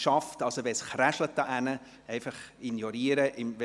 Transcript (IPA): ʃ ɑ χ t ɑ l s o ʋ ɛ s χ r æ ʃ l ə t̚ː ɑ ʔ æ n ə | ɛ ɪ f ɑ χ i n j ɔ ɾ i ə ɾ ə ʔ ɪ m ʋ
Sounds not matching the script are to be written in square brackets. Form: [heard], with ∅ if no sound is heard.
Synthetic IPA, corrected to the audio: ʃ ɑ [f] t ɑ l s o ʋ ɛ s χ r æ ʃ l ə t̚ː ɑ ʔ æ n ə | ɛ ɪ f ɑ χ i n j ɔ ɾ i ə ɾ ə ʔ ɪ m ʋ